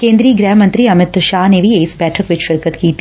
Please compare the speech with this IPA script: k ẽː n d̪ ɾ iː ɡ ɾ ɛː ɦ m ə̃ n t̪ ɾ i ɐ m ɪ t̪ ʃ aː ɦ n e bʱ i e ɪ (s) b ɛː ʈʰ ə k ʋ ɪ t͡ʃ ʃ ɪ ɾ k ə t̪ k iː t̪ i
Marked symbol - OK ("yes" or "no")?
yes